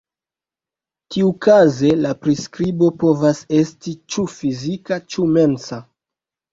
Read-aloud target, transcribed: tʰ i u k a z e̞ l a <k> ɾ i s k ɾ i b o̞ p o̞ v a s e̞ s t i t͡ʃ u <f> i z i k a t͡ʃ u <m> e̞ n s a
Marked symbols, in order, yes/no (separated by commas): no, yes, yes